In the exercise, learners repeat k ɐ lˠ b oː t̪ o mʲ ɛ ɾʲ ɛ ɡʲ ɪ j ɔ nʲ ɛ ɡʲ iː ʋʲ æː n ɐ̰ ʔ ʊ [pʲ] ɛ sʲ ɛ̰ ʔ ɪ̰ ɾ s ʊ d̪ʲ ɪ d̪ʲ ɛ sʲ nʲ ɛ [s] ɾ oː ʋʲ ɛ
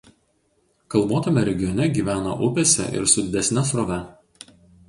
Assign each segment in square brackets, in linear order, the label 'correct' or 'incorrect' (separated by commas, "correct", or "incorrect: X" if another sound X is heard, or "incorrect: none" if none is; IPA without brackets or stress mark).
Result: correct, correct